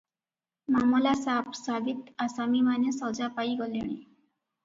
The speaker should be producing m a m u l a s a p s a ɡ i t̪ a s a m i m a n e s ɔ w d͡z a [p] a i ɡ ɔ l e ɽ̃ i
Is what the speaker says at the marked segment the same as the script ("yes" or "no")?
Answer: yes